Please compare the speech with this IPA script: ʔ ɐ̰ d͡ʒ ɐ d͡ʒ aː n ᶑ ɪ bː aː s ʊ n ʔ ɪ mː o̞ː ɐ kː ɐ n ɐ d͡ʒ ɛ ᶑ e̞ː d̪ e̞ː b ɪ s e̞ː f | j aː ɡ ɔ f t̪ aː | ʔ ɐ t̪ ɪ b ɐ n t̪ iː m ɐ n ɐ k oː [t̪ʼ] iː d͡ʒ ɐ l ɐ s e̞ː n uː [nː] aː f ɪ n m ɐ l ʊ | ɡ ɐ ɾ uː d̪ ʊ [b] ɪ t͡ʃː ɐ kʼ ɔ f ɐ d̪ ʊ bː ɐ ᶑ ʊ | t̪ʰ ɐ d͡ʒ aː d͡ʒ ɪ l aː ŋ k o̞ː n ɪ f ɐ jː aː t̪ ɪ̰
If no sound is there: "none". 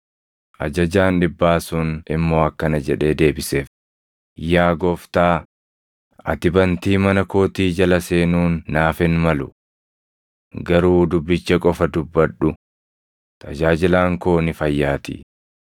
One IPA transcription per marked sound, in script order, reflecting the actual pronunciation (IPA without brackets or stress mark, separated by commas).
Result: t̪, nː, bː